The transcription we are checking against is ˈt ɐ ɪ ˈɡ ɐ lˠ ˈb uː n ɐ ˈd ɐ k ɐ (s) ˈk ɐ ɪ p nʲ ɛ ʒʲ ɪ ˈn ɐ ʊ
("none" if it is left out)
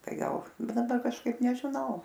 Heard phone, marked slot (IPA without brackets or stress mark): ʃ